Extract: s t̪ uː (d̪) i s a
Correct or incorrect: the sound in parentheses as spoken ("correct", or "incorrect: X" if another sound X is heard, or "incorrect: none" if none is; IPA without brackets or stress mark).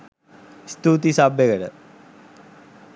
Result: incorrect: t̪